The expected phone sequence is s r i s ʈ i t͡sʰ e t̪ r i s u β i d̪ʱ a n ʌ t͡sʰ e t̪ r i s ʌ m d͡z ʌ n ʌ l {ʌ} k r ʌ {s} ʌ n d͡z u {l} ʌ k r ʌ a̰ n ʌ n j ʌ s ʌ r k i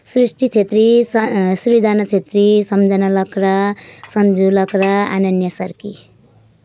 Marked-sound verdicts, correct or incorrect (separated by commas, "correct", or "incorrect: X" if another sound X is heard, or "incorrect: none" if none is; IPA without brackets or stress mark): correct, correct, correct